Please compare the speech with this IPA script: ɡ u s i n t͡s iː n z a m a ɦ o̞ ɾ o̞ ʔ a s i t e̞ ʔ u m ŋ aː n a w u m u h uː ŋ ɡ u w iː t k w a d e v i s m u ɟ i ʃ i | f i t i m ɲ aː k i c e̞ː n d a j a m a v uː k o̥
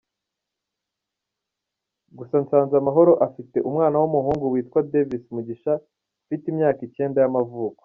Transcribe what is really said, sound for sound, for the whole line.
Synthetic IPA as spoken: ɡ u s a n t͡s aː n z a m a ɦ o̞ ɾ o̞ ʔ a f i t e̞ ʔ u m ŋ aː n a w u m u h uː ŋ ɡ u w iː t k w a d e v i s m u ɟ i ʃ a | f i t i m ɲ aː k i c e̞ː n d a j a m a v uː k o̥